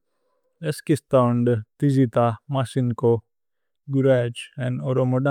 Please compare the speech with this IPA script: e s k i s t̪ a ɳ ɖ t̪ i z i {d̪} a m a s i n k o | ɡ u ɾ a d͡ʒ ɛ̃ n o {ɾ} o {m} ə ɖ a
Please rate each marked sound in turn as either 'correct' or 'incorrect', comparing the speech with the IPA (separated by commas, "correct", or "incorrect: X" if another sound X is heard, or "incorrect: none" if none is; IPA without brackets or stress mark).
incorrect: t̪, correct, correct